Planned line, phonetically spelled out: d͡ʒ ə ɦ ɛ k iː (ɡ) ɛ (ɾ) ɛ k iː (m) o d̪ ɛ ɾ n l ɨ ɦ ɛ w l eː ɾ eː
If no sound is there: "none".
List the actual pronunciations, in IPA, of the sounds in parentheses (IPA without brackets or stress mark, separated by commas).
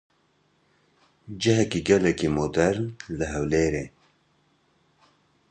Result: ɡ, l, m